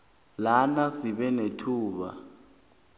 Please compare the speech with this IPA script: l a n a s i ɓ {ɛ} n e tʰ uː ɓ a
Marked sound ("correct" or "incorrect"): correct